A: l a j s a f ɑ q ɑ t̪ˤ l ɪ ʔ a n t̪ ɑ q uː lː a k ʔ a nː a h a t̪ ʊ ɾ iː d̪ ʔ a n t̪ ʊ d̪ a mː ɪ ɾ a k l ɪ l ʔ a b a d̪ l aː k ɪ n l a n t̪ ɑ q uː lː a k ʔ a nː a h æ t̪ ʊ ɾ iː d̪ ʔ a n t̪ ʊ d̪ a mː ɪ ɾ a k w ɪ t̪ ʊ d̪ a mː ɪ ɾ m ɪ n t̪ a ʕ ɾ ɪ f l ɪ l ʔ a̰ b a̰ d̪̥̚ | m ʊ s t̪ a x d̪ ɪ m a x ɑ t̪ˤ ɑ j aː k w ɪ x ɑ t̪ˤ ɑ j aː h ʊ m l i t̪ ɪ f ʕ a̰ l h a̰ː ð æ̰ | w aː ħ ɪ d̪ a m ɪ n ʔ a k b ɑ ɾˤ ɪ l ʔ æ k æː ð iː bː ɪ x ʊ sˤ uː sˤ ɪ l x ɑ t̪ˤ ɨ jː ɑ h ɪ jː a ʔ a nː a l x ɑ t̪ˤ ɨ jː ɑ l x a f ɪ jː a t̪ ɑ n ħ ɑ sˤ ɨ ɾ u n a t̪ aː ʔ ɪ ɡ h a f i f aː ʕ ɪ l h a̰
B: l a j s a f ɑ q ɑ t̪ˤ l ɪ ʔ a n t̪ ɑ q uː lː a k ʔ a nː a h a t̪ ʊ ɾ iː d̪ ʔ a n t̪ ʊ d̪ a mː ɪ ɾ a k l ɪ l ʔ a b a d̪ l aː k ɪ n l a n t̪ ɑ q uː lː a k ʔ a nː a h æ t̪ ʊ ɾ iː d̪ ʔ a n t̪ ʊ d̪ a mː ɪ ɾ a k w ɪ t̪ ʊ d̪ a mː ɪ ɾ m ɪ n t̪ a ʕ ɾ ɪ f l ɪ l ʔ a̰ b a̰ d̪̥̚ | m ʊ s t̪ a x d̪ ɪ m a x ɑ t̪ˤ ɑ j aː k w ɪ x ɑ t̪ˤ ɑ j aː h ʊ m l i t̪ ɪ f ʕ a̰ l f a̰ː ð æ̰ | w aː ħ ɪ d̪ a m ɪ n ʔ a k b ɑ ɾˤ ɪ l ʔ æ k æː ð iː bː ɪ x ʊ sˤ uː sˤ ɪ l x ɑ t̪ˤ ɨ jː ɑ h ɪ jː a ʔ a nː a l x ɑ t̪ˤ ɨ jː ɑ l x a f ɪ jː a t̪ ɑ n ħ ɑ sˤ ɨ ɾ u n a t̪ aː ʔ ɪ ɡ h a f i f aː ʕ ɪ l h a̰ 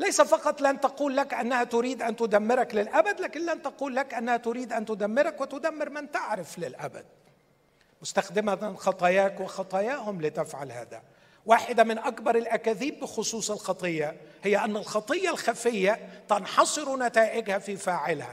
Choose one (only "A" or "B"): A